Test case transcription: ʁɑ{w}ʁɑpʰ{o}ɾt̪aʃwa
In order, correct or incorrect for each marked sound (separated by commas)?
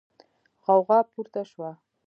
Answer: correct, incorrect